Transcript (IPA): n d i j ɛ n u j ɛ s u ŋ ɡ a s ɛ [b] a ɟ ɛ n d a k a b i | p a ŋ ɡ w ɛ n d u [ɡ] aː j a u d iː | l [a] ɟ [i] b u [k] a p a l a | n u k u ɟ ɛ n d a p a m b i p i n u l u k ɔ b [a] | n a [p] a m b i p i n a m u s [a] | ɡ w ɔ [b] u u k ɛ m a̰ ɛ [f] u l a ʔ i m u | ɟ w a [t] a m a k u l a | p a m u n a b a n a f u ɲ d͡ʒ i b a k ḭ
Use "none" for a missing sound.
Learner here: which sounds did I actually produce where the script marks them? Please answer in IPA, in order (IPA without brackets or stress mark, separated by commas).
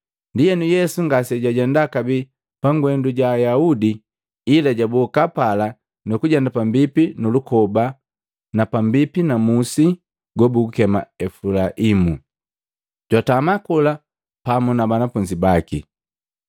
ɟ, ɟ, a, a, k, a, p, i, b, f, t